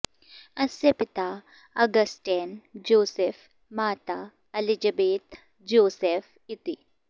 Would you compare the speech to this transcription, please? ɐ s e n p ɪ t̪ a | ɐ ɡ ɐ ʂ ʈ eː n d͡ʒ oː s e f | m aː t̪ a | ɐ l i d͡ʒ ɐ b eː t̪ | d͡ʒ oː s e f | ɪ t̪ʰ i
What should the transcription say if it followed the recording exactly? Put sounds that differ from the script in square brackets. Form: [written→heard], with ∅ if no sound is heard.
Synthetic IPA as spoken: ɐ s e [n→∅] p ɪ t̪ a | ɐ ɡ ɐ [ʂ→s] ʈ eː n d͡ʒ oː s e f | m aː t̪ a | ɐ l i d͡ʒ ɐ b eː t̪ | d͡ʒ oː s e f | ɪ [t̪ʰ→t̪] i